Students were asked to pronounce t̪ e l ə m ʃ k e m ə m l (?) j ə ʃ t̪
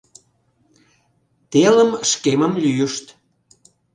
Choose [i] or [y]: y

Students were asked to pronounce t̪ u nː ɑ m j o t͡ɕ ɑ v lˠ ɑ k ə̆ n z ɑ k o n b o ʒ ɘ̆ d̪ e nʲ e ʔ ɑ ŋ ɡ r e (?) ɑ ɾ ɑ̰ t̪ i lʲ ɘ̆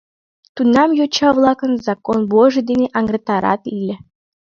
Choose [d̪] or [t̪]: t̪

